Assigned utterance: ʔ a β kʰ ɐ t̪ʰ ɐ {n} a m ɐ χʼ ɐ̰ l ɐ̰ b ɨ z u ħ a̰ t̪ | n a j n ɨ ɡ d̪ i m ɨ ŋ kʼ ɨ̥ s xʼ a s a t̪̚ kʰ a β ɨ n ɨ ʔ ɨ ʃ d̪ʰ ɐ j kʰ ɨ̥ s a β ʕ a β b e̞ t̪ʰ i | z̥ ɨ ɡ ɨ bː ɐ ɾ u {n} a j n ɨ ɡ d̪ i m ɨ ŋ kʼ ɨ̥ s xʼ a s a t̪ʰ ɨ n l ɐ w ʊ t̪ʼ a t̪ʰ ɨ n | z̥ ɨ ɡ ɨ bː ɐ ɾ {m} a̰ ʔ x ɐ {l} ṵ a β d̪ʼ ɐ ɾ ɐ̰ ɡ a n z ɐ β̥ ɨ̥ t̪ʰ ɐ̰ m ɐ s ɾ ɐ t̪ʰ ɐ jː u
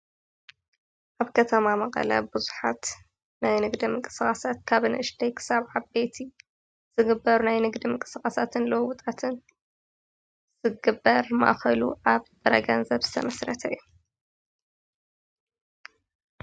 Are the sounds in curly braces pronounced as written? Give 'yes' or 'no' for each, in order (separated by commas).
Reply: no, yes, yes, yes